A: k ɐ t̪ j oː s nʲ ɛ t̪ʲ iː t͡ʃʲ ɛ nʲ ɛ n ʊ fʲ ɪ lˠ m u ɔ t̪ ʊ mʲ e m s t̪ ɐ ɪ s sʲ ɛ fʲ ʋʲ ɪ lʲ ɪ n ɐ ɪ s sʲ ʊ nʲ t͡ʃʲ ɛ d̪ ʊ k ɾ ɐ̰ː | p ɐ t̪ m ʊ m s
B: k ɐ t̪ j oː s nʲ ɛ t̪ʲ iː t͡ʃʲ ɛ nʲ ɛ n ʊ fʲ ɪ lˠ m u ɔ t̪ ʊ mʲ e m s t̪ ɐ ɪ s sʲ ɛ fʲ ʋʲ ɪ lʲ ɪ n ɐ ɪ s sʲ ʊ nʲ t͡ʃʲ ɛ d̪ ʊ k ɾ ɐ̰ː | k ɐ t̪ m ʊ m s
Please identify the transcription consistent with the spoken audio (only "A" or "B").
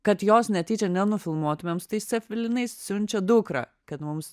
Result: B